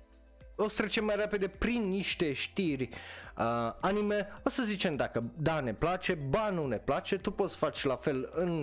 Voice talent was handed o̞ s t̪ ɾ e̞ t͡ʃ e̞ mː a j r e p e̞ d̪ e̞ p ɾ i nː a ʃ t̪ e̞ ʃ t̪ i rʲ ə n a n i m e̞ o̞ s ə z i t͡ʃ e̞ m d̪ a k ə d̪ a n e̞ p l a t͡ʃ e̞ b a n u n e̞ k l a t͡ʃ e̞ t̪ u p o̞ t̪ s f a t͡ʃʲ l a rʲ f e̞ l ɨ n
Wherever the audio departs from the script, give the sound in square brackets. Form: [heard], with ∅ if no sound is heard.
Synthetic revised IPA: o̞ s t̪ ɾ e̞ t͡ʃ e̞ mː a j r e p e̞ d̪ e̞ p ɾ i nː [i] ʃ t̪ e̞ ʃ t̪ i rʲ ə [∅] a n i m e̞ o̞ s ə z i t͡ʃ e̞ m d̪ a k ə d̪ a n e̞ p l a t͡ʃ e̞ b a n u n e̞ [p] l a t͡ʃ e̞ t̪ u p o̞ t̪ s f a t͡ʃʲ l a [∅] f e̞ l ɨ n